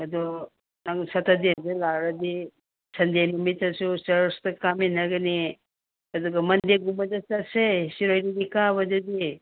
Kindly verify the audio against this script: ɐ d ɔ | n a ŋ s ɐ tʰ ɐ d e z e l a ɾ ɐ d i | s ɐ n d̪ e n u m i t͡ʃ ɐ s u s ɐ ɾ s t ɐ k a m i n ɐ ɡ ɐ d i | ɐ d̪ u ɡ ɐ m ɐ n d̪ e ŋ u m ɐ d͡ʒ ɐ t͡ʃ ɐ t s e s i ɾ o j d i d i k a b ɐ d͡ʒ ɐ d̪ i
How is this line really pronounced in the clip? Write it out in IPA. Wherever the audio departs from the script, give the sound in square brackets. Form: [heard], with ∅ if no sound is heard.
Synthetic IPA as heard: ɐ d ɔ | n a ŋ s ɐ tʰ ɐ d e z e l a ɾ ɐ d i | s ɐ n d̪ e n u m i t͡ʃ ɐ s u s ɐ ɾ s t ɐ k a m i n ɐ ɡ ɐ [n] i | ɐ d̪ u ɡ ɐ m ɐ n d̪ e [ɡ] u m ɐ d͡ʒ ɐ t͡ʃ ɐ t s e s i ɾ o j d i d i k a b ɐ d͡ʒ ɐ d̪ i